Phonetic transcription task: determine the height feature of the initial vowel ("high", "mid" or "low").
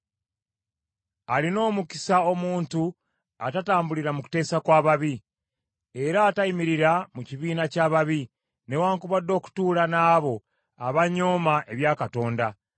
low